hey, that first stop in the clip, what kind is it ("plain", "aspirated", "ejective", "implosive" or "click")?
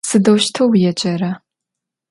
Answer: plain